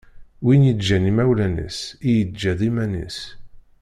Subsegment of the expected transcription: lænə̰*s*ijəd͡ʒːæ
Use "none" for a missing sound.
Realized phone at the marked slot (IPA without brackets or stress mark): s